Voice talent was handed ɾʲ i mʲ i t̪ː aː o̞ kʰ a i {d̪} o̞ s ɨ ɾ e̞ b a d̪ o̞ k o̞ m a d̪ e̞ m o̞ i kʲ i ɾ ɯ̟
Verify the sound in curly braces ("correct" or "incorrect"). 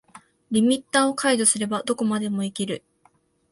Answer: correct